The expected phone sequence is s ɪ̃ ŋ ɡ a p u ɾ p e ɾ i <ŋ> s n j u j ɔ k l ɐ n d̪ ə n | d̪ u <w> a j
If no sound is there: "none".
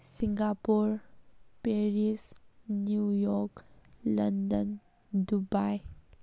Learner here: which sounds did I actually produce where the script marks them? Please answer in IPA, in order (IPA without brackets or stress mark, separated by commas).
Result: none, b